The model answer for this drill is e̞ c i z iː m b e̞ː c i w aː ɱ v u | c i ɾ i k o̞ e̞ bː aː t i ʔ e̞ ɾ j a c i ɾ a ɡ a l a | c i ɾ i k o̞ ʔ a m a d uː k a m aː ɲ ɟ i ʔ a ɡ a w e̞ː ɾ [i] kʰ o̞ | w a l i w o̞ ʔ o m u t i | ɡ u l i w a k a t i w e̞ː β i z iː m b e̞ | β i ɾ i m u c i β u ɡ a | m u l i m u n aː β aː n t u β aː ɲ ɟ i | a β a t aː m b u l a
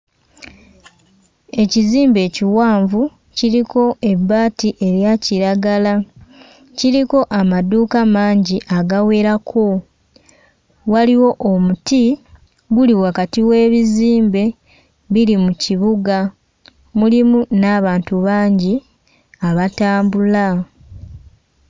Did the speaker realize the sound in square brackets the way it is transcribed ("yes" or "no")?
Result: no